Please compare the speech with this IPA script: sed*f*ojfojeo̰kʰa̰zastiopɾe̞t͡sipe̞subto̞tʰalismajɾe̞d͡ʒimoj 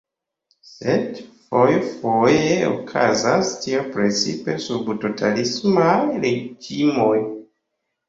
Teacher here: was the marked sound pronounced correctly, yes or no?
yes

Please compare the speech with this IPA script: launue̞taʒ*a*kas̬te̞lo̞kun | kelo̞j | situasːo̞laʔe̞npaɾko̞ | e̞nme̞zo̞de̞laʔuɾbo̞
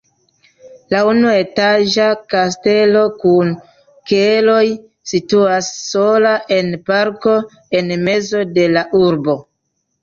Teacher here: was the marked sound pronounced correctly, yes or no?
yes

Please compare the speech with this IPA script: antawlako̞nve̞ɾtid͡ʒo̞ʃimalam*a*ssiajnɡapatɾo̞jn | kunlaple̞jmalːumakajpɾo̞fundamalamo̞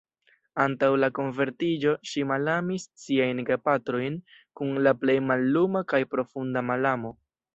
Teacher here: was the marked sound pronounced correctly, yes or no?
no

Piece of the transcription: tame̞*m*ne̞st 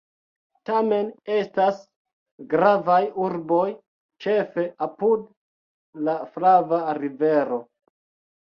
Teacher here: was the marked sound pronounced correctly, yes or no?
no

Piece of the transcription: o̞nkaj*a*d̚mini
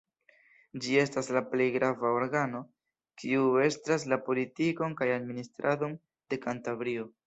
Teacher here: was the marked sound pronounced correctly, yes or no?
yes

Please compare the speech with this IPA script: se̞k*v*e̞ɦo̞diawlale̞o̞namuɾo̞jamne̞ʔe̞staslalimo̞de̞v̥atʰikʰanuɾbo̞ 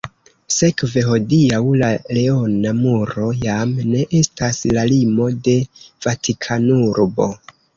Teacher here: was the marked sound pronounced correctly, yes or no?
yes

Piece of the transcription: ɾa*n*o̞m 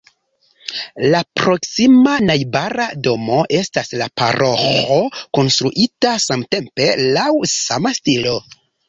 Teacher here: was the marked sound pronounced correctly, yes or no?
no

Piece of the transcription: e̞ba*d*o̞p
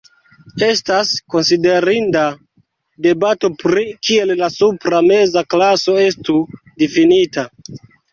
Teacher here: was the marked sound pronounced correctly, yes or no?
no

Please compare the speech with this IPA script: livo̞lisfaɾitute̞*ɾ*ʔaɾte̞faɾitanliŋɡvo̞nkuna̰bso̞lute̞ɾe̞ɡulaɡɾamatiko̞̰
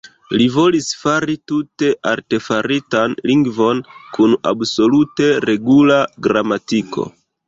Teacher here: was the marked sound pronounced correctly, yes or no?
no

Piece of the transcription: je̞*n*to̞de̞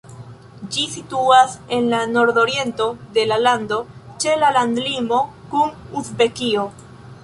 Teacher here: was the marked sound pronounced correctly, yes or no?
yes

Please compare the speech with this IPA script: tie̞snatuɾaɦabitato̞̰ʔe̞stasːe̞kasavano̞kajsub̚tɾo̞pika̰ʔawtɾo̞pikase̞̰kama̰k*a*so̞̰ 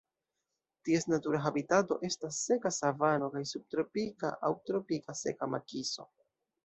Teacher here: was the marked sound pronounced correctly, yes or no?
no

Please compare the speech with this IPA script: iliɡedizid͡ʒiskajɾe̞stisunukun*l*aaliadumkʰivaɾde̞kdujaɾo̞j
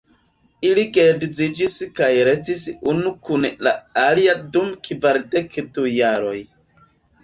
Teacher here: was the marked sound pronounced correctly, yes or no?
yes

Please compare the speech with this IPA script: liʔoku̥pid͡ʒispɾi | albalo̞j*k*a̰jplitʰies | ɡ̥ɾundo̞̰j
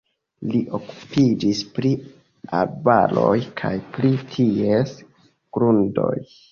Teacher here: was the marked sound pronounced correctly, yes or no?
no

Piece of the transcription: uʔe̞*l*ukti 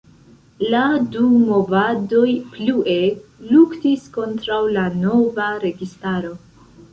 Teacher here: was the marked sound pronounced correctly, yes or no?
yes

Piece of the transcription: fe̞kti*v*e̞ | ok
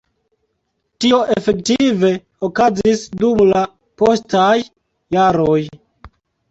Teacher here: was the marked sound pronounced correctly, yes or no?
yes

